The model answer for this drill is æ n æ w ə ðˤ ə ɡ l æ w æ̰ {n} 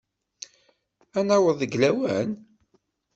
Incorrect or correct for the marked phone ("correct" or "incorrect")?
correct